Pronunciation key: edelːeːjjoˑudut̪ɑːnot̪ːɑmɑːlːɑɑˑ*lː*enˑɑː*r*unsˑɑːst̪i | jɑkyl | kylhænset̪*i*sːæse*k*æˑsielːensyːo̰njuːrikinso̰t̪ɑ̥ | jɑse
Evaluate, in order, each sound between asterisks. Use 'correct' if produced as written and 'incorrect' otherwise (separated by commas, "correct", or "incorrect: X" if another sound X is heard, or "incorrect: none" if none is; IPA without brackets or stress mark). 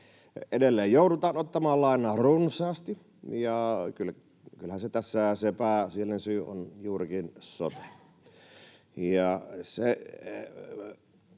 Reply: incorrect: none, correct, incorrect: æ, incorrect: p